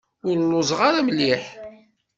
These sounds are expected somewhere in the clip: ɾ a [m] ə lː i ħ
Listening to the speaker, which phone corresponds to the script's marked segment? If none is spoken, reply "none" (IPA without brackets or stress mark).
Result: m